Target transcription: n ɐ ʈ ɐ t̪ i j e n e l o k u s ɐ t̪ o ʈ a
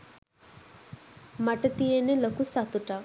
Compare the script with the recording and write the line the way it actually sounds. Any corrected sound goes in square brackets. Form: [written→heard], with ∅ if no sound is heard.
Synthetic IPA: [n→m] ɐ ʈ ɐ t̪ i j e n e l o k u s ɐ t̪ [o→u] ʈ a